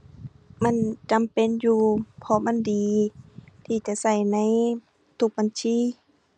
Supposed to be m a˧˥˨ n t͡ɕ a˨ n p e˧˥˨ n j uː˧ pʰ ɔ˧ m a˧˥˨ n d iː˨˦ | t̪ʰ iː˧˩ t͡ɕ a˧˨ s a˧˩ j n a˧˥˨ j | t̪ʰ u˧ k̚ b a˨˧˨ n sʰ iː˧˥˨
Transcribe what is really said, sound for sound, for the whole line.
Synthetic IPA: m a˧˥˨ n t͡ɕ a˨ m p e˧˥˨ n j uː˧ pʰ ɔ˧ m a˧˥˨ n d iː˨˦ | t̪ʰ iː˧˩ t͡ɕ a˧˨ s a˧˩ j n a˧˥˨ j | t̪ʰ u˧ k̚ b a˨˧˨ n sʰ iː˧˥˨

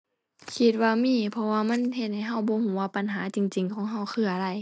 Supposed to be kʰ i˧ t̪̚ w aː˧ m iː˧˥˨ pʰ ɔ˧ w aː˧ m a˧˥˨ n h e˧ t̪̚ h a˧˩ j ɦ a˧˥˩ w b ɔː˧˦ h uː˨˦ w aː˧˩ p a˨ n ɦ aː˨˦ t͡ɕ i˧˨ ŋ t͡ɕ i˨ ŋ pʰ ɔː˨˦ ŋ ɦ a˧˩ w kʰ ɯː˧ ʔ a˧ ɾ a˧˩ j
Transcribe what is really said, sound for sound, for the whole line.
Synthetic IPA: kʰ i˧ t̪̚ w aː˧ m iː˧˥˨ pʰ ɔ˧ w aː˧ m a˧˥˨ n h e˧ t̪̚ h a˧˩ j ɦ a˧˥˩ w b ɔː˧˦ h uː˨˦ w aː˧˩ p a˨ n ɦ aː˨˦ t͡ɕ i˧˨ ŋ t͡ɕ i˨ ŋ kʰ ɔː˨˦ ŋ ɦ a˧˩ w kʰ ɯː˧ ʔ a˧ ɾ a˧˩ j

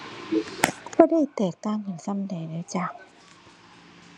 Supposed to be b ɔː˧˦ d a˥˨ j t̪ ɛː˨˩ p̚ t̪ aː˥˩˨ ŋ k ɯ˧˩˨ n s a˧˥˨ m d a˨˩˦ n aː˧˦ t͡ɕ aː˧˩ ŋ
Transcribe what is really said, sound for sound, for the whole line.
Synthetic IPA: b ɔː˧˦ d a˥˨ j t̪ ɛː˨˩ k̚ t̪ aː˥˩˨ ŋ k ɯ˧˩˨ n s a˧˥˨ m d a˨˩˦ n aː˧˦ t͡ɕ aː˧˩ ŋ

